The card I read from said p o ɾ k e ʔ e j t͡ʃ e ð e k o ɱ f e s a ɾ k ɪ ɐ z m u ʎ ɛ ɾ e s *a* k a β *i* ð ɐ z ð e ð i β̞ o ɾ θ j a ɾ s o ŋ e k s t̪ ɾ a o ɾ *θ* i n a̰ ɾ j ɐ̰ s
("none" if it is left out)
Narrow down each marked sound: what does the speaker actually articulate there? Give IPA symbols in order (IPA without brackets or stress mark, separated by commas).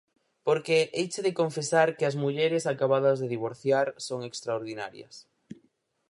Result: a, a, ð